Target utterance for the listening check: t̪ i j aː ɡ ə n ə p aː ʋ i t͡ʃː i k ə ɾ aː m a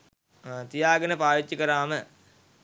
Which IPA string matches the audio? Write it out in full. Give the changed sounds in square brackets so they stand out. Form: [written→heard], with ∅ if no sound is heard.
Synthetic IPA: t̪ i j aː ɡ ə n ə p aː ʋ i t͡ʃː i k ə ɾ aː m [a→ə]